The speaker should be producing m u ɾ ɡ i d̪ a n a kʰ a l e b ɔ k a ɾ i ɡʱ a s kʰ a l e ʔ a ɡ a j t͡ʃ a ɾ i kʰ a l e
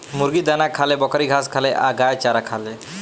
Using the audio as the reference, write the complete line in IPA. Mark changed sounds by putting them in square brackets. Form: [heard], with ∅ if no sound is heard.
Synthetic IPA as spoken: m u ɾ ɡ i d̪ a n a kʰ a l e b ɔ k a ɾ i ɡʱ a s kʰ a l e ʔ a ɡ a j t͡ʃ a ɾ [a] kʰ a l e